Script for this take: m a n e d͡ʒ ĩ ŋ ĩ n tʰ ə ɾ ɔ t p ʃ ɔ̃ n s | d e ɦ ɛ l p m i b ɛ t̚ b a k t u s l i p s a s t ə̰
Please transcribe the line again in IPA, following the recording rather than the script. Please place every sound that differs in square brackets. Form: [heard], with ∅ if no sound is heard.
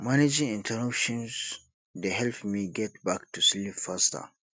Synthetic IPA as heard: m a n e d͡ʒ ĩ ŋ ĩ n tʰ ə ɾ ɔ [∅] p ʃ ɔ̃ n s | d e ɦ ɛ l p m i [ɡ] ɛ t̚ b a k t u s l i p [f] a s t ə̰